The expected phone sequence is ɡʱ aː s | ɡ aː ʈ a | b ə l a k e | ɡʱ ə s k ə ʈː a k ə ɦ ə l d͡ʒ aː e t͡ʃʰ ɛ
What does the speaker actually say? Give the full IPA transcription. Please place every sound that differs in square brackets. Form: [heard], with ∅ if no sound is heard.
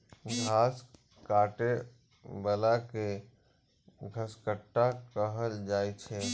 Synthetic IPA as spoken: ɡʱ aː s | [k] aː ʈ [e] | b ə l a k e | ɡʱ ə s k ə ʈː a k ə ɦ ə l d͡ʒ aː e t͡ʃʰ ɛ